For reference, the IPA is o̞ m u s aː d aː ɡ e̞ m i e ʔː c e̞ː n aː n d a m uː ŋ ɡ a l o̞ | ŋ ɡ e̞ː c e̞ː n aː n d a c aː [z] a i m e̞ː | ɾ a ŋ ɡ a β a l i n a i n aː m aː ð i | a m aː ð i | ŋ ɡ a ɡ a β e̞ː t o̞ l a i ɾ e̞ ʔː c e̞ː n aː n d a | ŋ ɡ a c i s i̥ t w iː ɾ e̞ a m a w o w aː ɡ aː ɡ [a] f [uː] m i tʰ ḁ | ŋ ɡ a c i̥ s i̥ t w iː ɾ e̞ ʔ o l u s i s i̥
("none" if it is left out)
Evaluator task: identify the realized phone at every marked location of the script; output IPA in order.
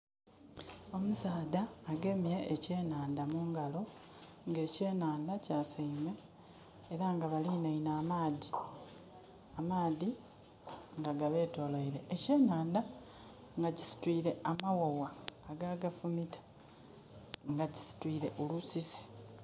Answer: s, a, u

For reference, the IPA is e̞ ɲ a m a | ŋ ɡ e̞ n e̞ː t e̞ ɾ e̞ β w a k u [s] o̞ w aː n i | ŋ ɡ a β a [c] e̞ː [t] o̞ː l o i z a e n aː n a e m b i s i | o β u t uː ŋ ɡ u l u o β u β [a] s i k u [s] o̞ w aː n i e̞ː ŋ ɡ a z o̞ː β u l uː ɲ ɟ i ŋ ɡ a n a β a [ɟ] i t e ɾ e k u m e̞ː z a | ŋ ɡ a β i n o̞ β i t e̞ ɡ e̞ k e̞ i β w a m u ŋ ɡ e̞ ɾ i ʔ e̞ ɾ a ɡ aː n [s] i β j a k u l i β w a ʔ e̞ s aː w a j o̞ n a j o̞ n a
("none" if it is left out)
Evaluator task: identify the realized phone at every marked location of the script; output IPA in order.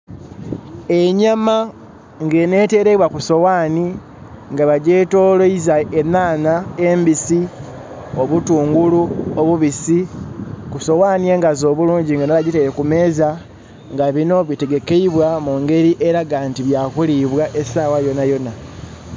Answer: s, ɟ, t, i, s, ɟ, t

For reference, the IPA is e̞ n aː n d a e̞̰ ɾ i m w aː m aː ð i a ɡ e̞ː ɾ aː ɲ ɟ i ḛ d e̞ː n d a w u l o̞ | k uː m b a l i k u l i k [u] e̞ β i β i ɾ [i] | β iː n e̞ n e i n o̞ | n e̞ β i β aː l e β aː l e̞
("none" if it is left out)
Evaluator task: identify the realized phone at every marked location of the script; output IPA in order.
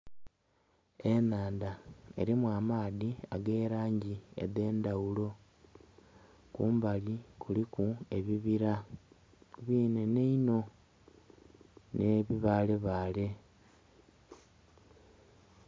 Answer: u, a

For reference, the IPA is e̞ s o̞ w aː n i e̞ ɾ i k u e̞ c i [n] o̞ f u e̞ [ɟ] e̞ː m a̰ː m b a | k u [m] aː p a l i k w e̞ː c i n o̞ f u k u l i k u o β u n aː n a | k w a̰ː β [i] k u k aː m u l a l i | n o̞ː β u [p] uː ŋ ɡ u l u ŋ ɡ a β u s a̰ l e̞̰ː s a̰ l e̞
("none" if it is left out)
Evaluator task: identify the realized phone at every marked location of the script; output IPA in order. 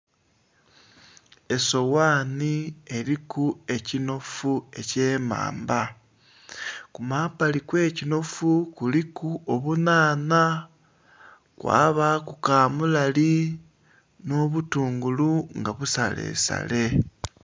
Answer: n, c, m, a, t

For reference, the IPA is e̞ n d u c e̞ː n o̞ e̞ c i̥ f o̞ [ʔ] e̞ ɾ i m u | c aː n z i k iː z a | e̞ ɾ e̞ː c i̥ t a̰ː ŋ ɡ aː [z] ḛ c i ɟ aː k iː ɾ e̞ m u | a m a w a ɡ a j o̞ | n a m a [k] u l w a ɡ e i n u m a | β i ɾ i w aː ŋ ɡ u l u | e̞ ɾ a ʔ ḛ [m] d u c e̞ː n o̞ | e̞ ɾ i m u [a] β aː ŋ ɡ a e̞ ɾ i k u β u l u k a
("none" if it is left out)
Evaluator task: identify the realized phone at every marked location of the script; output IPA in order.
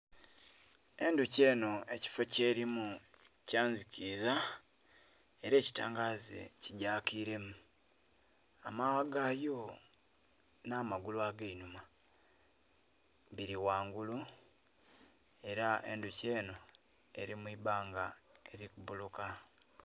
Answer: c, z, ɡ, n, i

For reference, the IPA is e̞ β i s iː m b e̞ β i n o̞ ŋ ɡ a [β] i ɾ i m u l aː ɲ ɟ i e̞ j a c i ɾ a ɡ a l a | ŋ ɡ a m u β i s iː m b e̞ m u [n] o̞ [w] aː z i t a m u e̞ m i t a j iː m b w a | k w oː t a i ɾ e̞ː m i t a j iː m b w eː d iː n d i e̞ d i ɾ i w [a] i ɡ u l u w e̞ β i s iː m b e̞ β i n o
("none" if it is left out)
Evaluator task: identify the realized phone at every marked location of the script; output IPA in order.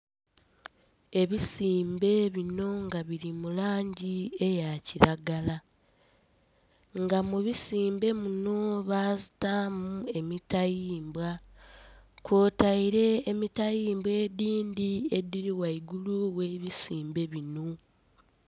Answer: β, n, β, a

